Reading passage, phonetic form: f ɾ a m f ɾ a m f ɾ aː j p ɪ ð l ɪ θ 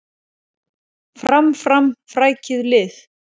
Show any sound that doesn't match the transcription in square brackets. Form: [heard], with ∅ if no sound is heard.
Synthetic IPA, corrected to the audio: f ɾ a m f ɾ a m f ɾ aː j [c] ɪ ð l ɪ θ